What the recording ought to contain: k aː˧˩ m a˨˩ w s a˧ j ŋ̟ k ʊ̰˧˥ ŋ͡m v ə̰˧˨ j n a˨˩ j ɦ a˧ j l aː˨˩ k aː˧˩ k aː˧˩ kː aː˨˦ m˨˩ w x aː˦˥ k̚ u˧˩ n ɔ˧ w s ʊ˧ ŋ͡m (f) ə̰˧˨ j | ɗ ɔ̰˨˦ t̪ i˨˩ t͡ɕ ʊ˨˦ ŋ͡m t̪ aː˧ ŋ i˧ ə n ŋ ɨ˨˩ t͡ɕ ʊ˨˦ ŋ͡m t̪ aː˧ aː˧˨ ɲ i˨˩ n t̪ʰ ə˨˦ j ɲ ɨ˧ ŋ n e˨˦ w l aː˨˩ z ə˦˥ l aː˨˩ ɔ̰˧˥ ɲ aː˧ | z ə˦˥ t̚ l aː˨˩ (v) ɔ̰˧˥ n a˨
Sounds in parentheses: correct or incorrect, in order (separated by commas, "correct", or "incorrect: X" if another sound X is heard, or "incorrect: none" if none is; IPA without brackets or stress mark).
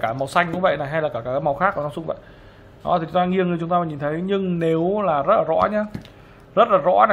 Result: incorrect: v, incorrect: z